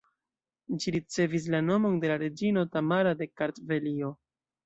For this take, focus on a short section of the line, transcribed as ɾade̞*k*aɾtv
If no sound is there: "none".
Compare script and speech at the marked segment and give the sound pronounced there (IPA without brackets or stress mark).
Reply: k